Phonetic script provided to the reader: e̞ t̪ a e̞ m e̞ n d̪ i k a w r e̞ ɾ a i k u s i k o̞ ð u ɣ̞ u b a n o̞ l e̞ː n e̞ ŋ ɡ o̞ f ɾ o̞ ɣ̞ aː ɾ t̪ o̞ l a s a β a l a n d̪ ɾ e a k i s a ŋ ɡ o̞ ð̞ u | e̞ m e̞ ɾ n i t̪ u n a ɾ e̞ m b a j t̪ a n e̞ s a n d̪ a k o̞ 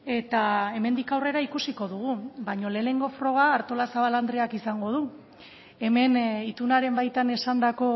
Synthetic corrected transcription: e̞ t̪ a e̞ m e̞ n d̪ i k a w r e̞ ɾ a i k u s i k o̞ ð u ɣ̞ u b a ɲ o̞ l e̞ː n e̞ ŋ ɡ o̞ f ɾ o̞ ɣ̞ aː ɾ t̪ o̞ l a s a β a l a n d̪ ɾ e a k i s a ŋ ɡ o̞ ð̞ u | e̞ m e̞ n i t̪ u n a ɾ e̞ m b a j t̪ a n e̞ s a n d̪ a k o̞